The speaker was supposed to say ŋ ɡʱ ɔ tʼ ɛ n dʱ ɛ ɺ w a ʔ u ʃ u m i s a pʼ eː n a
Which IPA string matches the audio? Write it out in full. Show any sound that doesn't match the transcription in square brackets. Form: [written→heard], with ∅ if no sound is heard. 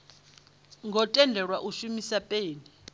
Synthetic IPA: ŋ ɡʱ ɔ tʼ ɛ n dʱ ɛ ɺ w a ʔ u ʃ u m i s a pʼ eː n [a→i]